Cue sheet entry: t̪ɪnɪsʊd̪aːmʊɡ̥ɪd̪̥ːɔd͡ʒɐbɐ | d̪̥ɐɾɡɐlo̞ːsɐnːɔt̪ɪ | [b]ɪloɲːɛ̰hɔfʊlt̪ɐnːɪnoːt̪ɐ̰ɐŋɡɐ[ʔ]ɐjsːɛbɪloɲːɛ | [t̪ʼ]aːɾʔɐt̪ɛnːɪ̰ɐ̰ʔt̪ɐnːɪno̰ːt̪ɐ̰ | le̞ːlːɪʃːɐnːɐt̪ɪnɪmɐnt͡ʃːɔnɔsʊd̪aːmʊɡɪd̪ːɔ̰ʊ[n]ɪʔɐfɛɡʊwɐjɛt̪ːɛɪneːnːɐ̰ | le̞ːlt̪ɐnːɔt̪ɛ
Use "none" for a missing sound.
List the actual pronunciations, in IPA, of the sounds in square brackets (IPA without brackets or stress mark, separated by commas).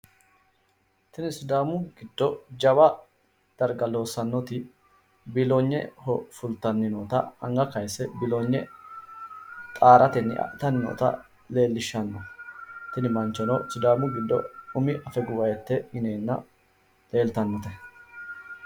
b, k, t̪ʼ, m